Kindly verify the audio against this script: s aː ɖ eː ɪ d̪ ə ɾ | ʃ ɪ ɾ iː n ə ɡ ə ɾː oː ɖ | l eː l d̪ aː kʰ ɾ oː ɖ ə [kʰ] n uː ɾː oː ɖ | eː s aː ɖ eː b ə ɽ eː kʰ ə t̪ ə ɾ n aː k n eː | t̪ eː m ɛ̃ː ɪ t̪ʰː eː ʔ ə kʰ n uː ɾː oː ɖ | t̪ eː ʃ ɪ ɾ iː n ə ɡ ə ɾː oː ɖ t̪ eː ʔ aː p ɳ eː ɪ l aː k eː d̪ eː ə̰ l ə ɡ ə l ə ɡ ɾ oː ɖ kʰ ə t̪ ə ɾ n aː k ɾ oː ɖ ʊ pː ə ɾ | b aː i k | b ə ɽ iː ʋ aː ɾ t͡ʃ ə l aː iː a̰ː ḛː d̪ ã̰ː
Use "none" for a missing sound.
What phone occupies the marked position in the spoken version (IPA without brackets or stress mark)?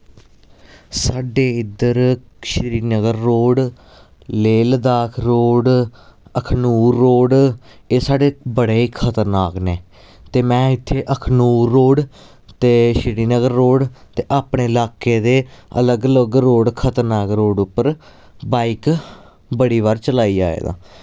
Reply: kʰ